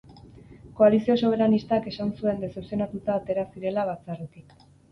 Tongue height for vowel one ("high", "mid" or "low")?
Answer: mid